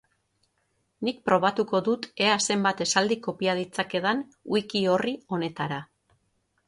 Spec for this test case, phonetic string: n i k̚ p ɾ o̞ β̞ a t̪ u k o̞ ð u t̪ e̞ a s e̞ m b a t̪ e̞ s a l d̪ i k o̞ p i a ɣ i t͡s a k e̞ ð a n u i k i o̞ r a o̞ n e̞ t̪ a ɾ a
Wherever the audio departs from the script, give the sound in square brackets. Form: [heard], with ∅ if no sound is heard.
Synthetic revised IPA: n i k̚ p ɾ o̞ β̞ a t̪ u k o̞ ð u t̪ e̞ a s e̞ m b a t̪ e̞ s a l d̪ i k o̞ p i a [ð] i t͡s a k e̞ ð a n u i k i o̞ r [i] o̞ n e̞ t̪ a ɾ a